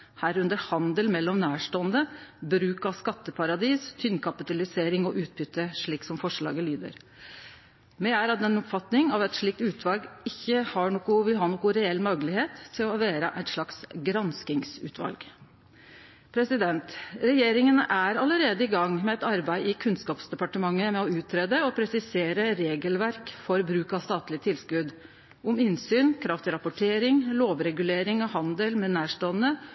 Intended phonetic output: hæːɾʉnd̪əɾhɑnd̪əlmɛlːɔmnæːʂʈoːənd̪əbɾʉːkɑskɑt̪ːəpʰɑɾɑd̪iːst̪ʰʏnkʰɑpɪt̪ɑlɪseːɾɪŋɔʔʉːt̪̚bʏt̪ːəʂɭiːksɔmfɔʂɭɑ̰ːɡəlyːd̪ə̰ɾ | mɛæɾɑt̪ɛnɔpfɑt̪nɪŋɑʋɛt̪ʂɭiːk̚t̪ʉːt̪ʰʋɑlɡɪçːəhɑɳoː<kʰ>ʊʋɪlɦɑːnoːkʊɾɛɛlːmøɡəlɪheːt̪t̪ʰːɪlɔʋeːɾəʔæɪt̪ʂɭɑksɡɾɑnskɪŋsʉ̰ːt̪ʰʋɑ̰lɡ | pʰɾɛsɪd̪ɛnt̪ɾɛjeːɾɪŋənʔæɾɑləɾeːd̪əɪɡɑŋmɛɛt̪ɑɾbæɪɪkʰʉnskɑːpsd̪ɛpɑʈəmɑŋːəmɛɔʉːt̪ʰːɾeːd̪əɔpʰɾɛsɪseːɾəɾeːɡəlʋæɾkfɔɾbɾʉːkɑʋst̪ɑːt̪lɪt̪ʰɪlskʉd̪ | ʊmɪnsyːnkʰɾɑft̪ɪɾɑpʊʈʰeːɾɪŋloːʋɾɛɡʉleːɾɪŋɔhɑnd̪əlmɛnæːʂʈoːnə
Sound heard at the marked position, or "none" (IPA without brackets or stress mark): k